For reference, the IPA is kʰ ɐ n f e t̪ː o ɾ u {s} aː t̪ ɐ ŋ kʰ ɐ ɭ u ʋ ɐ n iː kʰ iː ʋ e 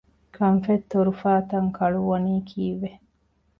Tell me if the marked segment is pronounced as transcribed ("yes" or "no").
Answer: no